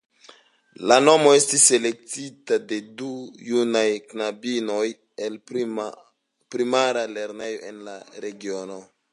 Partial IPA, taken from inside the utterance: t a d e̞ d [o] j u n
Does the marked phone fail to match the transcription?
yes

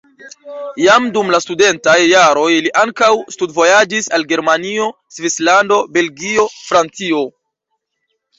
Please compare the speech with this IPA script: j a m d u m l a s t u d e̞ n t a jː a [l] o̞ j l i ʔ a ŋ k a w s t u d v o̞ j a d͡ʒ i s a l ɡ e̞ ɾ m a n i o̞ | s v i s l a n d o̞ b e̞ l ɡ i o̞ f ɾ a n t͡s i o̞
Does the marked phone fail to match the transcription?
yes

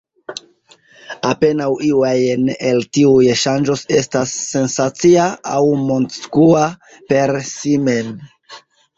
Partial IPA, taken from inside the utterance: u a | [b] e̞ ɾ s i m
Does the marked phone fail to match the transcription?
yes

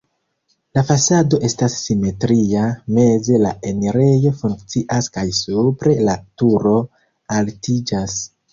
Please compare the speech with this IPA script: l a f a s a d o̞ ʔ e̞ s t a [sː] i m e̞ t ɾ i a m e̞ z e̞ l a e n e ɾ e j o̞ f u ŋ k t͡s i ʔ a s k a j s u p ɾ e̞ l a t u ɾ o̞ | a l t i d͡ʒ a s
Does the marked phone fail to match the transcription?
no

